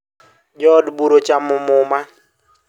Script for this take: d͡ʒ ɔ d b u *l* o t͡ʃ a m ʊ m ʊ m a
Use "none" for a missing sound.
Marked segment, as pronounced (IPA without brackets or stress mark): ɾ